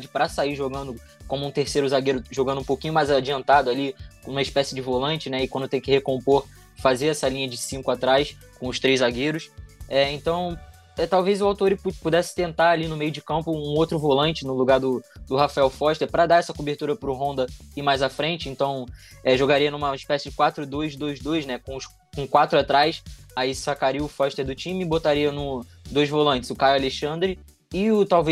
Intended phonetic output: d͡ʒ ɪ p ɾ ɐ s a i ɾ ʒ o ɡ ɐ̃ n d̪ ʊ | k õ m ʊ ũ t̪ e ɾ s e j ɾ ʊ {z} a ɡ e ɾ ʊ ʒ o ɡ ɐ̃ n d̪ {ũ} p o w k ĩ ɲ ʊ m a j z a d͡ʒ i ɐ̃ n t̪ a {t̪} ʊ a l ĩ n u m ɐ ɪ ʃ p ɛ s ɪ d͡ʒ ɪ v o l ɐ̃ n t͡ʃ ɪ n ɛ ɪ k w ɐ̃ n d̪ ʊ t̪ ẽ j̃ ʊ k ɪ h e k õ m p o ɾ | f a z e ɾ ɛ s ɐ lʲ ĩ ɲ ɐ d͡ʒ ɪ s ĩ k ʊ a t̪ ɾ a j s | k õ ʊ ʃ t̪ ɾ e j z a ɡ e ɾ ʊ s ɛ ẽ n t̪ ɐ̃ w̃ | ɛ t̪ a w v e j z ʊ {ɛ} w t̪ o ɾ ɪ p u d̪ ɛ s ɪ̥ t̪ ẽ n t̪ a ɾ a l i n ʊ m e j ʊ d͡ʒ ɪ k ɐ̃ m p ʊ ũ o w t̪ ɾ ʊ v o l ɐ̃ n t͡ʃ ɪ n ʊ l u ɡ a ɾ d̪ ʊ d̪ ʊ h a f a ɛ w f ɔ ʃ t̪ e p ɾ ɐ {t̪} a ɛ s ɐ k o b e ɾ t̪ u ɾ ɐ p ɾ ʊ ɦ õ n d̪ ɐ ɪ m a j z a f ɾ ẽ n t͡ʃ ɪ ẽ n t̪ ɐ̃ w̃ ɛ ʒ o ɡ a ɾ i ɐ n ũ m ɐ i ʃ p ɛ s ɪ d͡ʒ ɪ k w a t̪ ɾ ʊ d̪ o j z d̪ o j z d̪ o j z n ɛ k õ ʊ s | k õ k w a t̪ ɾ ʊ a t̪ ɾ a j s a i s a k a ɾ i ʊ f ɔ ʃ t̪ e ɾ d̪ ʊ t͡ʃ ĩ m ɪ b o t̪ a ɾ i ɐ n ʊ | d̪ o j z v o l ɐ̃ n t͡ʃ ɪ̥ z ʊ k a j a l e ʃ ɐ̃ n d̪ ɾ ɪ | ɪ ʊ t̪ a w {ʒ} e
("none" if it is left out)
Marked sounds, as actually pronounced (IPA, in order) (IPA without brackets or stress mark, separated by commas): z, ũ, d̪, a, d̪, v